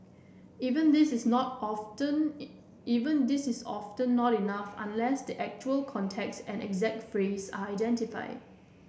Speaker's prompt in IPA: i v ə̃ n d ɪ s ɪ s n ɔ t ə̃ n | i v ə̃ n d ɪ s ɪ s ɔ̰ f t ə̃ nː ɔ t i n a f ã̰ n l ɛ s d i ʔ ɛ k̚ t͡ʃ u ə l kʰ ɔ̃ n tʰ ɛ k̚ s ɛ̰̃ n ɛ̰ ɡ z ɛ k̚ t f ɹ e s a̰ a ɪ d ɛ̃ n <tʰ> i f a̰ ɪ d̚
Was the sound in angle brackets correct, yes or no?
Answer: no